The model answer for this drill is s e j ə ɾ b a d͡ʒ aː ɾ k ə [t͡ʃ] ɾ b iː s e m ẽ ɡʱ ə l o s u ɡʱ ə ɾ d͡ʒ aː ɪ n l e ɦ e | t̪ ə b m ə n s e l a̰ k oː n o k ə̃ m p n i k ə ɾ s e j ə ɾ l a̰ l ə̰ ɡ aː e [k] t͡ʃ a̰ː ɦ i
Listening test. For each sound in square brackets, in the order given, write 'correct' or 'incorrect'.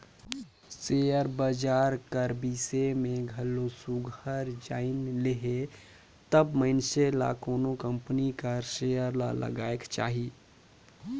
incorrect: none, correct

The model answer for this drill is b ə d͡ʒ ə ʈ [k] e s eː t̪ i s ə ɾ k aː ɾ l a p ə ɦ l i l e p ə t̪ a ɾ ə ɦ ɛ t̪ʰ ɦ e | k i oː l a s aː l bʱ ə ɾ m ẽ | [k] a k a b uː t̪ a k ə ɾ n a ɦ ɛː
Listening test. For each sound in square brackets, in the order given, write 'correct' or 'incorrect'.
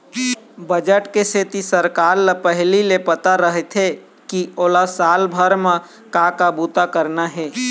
correct, correct

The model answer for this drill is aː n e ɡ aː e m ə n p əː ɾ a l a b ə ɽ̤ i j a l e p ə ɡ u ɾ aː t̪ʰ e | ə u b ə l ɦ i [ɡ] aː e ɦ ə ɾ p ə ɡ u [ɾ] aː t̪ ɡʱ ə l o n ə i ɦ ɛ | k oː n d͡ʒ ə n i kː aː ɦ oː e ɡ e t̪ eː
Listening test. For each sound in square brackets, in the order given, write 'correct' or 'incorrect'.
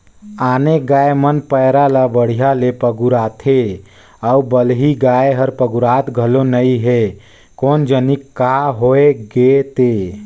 correct, correct

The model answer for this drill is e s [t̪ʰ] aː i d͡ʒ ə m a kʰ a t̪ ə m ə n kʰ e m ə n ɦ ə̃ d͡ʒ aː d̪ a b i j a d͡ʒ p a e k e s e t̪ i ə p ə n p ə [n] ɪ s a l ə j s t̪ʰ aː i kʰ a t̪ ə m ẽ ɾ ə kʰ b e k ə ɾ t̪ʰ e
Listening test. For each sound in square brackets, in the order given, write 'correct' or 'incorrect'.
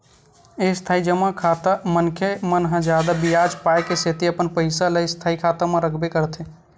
correct, incorrect: none

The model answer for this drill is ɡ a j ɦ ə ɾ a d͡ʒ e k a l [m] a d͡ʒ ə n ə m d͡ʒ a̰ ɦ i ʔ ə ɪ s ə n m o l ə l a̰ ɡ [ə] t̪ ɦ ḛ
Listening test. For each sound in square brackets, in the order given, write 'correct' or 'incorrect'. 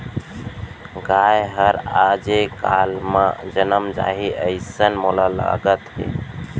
correct, correct

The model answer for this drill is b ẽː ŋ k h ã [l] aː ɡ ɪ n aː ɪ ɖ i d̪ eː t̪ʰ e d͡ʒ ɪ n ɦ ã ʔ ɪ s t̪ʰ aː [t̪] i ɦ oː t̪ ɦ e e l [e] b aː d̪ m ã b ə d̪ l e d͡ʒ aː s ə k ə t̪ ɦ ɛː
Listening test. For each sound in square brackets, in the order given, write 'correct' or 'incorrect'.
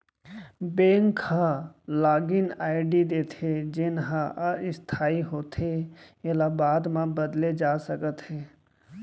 correct, incorrect: none, incorrect: a

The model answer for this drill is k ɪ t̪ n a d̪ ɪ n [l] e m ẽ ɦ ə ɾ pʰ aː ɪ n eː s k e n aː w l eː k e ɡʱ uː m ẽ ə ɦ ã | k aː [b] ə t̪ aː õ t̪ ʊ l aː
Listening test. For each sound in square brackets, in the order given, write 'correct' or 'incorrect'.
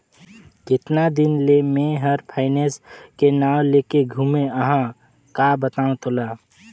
correct, correct

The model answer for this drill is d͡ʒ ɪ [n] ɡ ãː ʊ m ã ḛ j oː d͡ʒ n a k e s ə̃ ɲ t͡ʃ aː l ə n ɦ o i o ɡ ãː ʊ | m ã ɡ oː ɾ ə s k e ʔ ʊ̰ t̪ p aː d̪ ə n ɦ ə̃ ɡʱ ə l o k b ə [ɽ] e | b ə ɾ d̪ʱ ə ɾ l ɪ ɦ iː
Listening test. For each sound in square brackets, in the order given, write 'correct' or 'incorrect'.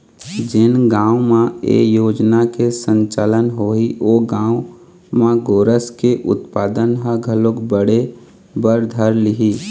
correct, correct

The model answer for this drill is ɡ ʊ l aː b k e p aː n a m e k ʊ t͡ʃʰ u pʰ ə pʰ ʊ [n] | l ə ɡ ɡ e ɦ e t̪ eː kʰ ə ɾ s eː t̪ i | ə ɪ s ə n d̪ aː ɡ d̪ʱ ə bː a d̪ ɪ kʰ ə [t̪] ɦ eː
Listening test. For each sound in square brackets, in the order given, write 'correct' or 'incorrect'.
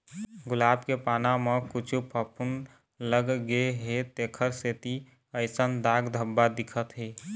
correct, correct

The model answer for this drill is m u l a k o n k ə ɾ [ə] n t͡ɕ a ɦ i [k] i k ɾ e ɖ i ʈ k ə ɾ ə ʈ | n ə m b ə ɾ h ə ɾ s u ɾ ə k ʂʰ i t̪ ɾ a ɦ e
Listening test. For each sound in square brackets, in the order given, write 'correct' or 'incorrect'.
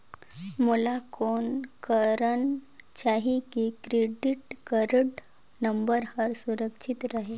correct, correct

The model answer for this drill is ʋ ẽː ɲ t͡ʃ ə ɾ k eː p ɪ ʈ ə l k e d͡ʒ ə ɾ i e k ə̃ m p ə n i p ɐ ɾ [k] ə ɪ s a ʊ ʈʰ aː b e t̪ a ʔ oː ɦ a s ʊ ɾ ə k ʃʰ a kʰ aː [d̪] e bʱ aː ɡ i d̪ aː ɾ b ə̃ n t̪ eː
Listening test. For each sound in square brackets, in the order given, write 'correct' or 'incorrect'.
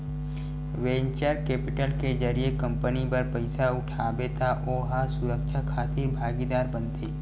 incorrect: p, incorrect: t̪

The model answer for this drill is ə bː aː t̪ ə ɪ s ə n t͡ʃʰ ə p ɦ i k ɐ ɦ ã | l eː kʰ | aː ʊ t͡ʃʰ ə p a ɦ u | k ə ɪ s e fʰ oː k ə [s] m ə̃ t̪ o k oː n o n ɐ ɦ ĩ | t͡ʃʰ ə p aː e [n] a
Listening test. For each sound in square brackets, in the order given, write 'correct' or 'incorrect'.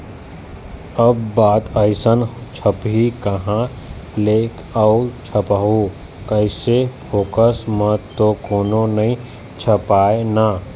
correct, correct

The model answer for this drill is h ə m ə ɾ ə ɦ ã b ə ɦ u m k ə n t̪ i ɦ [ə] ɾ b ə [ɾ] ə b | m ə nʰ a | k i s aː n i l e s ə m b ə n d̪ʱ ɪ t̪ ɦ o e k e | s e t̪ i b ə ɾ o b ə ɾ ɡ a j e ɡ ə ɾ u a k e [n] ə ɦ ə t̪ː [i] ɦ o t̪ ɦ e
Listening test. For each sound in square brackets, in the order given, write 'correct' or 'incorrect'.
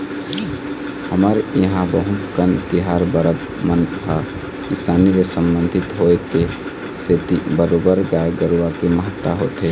incorrect: a, correct, incorrect: m, incorrect: a

